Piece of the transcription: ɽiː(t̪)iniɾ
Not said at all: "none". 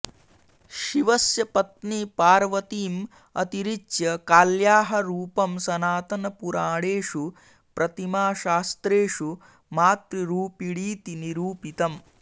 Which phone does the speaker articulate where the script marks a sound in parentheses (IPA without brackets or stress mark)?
t̪